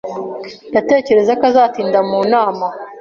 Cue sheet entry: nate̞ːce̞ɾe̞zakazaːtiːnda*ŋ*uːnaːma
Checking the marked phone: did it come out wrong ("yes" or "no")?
yes